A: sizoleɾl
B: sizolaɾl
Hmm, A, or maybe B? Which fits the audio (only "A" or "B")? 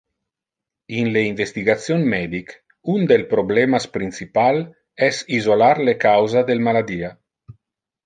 B